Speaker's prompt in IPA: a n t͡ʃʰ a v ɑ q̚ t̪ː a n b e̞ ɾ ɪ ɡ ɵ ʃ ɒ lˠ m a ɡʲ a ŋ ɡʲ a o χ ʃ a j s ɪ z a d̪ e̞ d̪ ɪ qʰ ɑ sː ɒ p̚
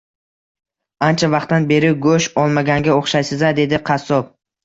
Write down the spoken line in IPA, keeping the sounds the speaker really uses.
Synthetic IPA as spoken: a n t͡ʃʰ a v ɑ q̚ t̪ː a n b e̞ ɾ ɪ ɡ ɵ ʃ ɒ lˠ m a ɡʲ a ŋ ɡʲ a o χ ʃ a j s ɪ z a d̪ e̞ d̪ ɪ qʰ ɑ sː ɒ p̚